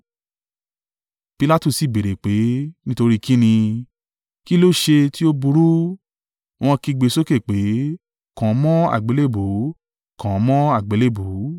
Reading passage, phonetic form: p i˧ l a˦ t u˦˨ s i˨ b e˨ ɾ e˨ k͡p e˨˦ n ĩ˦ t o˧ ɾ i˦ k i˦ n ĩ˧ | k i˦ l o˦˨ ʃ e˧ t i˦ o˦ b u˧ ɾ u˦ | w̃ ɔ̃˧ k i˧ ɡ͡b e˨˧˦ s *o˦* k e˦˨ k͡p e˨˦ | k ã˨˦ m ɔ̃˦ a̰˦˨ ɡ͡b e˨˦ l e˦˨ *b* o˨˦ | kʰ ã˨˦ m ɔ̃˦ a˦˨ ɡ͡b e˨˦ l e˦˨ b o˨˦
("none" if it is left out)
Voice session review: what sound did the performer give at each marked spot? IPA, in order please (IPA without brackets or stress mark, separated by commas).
o˦, b